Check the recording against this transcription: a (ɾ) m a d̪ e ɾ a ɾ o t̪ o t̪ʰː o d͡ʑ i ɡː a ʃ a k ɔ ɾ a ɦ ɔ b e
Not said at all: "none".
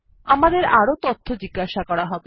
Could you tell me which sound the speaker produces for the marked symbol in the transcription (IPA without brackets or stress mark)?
none